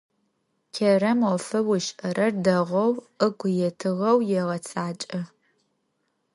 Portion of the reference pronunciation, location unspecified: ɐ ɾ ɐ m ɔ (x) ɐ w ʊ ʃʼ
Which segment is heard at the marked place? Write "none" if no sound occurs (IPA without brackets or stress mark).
f